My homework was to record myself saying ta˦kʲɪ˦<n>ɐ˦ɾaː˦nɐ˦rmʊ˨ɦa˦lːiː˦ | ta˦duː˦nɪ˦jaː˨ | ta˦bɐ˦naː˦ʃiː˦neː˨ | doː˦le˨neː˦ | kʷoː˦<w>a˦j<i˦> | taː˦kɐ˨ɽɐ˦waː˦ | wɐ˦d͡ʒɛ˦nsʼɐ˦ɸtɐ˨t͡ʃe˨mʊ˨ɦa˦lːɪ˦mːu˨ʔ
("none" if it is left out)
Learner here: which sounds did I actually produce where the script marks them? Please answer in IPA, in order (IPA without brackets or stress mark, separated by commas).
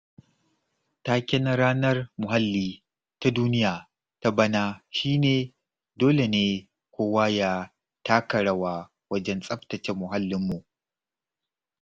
n, w, a˦